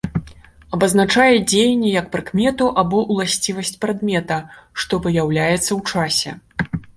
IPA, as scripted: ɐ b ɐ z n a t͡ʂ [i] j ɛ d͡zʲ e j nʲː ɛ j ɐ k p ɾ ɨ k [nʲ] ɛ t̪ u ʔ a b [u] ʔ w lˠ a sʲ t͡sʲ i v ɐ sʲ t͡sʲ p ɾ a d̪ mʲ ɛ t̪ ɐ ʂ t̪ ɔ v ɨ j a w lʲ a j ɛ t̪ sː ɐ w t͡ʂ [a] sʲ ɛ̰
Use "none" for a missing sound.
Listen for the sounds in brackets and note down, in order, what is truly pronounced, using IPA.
a, mʲ, ɔ, a

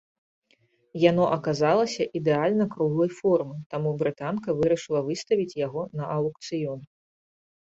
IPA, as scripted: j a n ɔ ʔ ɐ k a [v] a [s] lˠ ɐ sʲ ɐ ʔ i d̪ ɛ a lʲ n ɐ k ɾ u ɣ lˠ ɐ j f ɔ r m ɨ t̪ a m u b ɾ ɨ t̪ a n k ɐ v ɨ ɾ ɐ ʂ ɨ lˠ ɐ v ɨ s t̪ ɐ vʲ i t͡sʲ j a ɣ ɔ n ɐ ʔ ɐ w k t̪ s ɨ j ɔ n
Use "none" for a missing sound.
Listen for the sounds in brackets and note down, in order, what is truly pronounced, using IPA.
z, none

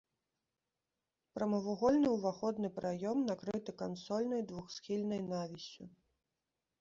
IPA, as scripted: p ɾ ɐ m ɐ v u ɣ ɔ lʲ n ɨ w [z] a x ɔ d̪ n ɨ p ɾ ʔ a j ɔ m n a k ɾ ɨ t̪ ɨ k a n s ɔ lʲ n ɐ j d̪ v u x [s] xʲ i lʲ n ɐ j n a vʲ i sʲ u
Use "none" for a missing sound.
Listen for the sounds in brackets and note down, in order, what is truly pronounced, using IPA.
v, s

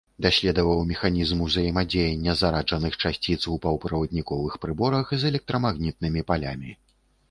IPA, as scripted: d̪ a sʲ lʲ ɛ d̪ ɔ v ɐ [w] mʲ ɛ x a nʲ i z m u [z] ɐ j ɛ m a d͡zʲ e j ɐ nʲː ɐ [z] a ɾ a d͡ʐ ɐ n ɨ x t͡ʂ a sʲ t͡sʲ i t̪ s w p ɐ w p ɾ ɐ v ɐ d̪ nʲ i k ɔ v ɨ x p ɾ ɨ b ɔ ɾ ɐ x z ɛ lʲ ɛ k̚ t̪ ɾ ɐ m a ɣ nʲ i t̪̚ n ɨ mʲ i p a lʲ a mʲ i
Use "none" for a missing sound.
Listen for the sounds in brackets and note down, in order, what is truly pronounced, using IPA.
w, z, z

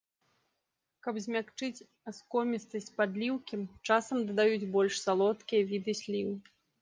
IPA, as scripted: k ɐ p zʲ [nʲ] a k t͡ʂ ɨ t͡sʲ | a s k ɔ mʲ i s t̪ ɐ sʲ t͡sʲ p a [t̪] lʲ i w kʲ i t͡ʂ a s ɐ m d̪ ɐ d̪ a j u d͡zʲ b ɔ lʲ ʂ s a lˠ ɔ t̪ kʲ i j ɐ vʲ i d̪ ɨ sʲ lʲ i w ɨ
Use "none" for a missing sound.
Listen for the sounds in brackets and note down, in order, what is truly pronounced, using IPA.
mʲ, d̪

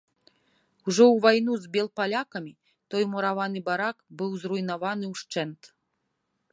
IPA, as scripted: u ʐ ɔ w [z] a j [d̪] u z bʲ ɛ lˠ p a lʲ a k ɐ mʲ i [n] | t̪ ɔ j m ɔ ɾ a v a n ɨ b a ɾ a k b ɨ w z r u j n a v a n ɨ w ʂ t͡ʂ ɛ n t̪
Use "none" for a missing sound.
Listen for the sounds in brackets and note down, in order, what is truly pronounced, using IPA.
v, n̪, none

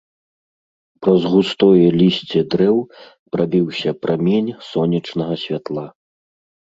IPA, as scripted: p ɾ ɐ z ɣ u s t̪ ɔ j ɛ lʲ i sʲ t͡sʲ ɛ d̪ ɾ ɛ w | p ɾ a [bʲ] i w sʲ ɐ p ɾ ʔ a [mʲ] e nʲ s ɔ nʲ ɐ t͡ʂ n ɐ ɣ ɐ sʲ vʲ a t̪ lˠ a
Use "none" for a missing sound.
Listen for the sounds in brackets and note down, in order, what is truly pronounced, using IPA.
bʲ, mʲ

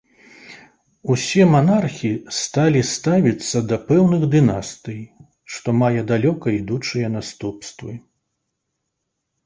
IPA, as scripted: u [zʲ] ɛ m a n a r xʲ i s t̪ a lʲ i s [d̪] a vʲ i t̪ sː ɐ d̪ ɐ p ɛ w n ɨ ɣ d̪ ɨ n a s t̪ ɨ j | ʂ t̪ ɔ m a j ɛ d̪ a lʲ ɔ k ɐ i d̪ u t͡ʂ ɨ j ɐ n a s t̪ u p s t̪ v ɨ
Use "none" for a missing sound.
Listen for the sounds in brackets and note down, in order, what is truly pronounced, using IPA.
sʲ, t̪

